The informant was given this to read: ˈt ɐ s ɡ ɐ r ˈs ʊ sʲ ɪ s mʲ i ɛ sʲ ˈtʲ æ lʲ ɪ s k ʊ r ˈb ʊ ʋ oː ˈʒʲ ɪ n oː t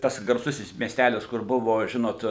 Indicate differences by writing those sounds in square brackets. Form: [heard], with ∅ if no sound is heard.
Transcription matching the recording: ˈt ɐ s ɡ ɐ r ˈs ʊ sʲ ɪ s mʲ i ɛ sʲ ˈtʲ æ lʲ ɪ s k ʊ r ˈb ʊ ʋ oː ˈʒʲ ɪ n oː t